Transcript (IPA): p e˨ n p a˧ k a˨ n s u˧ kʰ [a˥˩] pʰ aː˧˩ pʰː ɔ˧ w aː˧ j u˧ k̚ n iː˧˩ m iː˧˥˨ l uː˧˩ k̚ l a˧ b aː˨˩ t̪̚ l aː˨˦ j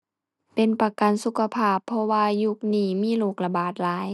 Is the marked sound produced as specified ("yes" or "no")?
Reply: no